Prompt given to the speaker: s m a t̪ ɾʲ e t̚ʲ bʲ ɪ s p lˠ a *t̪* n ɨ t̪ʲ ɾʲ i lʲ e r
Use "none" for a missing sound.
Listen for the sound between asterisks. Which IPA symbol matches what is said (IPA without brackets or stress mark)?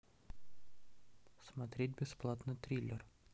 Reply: t̪